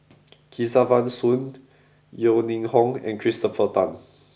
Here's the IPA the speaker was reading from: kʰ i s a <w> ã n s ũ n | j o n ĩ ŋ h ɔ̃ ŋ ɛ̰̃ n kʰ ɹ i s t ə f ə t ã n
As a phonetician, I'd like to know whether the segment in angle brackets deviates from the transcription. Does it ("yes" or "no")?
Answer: yes